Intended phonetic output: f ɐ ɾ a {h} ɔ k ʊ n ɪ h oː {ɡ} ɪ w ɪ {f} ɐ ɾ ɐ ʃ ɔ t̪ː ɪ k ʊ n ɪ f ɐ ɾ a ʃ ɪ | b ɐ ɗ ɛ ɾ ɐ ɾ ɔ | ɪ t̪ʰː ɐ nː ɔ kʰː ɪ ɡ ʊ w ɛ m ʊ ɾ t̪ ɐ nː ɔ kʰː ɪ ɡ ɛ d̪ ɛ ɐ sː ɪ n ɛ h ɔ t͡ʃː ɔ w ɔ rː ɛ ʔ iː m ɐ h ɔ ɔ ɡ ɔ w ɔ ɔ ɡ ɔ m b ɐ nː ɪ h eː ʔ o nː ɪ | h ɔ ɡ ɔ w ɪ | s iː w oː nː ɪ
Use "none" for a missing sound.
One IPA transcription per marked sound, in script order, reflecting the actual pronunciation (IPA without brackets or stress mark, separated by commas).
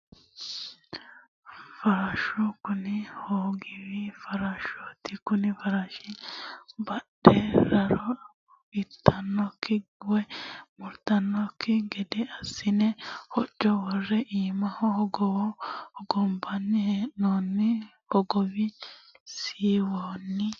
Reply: ʃ, ɡ, f